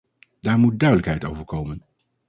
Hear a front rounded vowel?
yes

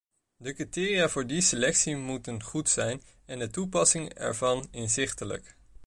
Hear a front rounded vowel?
no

